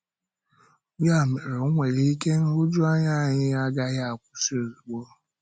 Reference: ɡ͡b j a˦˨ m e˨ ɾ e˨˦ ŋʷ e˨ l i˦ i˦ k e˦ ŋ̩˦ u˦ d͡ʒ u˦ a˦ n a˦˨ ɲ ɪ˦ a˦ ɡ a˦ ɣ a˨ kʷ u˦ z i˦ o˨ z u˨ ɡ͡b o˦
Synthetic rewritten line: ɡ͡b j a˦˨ m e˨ ɾ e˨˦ ŋʷ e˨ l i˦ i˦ k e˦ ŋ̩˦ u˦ d͡ʒ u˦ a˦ ɲ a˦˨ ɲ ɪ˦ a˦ ɡ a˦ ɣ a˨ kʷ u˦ s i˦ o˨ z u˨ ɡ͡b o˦

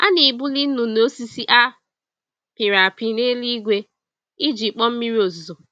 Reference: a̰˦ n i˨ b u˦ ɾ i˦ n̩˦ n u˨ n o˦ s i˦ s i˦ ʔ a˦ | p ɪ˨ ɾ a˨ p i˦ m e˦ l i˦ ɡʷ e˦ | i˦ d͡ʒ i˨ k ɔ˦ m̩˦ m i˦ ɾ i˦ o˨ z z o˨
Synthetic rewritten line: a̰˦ n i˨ b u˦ l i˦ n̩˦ n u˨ n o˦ s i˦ s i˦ ʔ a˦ | p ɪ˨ ɾ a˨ p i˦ n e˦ l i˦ ɡʷ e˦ | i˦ d͡ʒ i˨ k͡p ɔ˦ m̩˦ m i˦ ɾ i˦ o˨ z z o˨

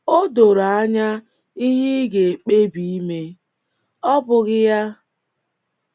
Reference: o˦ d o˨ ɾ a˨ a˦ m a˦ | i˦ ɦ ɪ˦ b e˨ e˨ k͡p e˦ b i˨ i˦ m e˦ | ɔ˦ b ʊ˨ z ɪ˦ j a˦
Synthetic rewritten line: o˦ d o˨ ɾ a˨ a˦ ɲ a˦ | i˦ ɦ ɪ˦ ɡ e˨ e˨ k͡p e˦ b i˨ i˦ m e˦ | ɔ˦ b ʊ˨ ɣ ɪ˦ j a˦

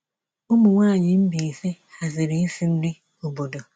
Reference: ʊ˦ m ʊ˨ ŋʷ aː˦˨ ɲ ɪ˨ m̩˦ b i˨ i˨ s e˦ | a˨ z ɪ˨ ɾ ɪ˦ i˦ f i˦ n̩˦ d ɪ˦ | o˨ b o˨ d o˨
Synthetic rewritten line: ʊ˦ m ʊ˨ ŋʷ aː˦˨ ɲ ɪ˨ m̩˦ b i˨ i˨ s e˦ | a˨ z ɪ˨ ɾ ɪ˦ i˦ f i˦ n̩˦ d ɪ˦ | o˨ b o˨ d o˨

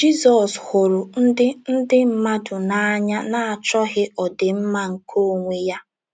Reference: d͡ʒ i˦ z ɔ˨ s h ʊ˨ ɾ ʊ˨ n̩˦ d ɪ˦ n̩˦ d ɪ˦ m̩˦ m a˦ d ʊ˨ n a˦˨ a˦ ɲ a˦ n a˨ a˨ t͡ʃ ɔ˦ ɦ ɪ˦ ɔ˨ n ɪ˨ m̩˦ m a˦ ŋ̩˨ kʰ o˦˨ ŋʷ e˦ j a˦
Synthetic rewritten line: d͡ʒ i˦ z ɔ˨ s h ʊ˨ ɾ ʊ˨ n̩˦ d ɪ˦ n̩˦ d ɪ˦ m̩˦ m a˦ d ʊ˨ n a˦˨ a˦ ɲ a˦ n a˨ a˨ t͡ʃ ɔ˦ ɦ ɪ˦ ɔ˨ d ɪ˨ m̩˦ m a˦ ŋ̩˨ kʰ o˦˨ ŋʷ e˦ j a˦

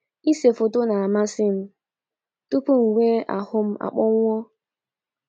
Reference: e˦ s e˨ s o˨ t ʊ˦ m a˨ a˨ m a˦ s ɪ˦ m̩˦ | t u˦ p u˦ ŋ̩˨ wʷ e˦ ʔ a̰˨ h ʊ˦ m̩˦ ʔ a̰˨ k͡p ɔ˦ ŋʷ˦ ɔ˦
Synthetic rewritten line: i˦ s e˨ f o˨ t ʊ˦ n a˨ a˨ m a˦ s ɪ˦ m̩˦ | t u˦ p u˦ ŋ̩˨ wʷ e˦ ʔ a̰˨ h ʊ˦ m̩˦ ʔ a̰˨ k͡p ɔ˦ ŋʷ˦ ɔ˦

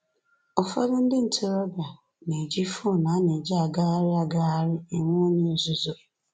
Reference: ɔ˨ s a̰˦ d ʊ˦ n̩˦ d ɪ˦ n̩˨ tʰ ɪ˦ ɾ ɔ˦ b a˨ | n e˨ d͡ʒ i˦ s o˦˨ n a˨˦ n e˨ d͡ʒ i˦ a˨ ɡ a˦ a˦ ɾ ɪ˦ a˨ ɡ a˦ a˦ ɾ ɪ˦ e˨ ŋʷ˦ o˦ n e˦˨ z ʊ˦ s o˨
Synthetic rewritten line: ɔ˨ f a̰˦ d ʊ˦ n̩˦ d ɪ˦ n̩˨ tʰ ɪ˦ ɾ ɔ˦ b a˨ | n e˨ d͡ʒ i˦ f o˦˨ n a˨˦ n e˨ d͡ʒ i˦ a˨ ɡ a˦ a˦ ɾ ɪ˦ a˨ ɡ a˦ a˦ ɾ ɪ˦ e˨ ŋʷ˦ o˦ ɲ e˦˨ z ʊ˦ z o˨

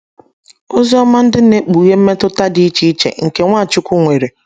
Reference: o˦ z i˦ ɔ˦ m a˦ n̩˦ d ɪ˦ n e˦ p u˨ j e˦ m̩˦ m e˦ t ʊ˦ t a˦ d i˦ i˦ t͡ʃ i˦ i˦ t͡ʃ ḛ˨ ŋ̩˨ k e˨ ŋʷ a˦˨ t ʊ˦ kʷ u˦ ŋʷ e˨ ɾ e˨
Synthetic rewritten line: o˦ z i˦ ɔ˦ m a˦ n̩˦ d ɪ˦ n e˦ k͡p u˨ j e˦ m̩˦ m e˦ t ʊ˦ t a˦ d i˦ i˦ t͡ʃ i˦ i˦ t͡ʃ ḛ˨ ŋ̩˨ k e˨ ŋʷ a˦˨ t͡ʃ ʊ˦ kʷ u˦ ŋʷ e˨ ɾ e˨

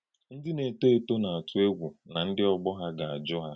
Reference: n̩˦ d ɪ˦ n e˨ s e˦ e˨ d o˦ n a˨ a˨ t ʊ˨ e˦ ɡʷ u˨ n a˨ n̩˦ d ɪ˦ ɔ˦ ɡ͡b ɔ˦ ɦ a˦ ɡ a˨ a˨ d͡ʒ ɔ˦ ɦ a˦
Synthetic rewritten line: n̩˦ d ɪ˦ n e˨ t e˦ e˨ t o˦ n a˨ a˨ t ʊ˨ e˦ ɡʷ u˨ n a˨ n̩˦ d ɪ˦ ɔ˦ ɡ͡b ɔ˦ ɦ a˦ ɡ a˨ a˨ d͡ʒ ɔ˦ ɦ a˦

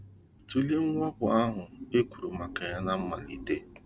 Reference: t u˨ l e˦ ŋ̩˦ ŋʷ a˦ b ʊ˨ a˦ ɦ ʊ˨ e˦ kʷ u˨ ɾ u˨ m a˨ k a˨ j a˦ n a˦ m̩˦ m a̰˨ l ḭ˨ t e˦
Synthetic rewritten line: t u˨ l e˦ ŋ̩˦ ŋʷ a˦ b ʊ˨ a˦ ɦ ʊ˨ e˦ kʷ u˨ ɾ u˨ m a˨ k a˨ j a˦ n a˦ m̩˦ m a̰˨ l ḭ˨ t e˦

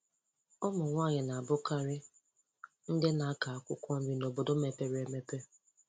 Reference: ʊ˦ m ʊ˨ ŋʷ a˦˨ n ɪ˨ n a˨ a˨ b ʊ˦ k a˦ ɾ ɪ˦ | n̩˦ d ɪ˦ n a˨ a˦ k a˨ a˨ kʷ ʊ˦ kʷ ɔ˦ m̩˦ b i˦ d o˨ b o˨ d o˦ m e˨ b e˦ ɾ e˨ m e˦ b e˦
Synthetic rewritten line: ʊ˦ m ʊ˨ ŋʷ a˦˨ ɲ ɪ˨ n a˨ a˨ b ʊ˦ k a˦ ɾ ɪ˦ | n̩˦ d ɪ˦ n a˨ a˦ k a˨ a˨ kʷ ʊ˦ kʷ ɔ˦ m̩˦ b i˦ n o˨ b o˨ d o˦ m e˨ p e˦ ɾ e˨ m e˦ p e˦

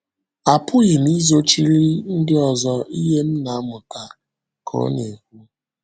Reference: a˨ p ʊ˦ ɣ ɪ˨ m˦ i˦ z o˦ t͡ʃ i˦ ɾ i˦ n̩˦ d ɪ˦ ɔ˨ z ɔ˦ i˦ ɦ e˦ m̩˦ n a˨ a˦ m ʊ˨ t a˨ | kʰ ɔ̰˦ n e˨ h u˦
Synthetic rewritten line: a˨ p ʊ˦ ɣ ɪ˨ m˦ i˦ z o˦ t͡ʃ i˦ ɾ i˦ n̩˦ d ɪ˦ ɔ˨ z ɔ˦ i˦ ɦ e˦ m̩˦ n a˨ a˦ m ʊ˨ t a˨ | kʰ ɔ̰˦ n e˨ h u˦

